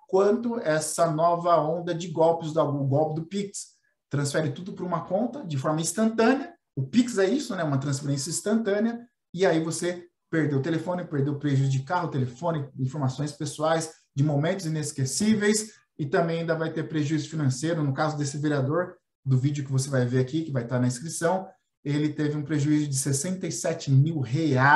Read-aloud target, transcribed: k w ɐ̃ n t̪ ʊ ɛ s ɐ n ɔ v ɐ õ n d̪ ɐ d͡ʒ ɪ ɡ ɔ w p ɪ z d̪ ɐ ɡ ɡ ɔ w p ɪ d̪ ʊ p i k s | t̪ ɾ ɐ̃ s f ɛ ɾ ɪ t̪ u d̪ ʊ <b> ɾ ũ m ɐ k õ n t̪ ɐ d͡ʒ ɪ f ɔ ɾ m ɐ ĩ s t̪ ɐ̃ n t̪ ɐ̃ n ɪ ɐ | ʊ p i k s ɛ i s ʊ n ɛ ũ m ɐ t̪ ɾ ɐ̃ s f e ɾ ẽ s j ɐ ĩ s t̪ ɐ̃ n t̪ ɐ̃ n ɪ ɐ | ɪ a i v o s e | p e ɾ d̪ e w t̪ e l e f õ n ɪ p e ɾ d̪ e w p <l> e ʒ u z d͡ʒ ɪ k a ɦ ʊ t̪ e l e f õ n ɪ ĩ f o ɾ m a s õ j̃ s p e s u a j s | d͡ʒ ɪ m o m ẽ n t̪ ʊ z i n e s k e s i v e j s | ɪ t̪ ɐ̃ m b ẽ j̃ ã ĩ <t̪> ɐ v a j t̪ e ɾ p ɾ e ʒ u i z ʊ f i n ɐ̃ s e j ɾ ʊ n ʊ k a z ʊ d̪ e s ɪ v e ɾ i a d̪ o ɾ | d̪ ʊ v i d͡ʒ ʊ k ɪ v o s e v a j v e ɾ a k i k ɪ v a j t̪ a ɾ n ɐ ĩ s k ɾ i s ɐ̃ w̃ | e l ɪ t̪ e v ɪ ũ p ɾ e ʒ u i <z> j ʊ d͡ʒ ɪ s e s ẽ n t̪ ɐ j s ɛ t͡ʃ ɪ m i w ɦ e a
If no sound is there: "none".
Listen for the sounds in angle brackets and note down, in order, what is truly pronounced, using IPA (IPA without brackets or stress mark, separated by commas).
p, ɾ, d̪, z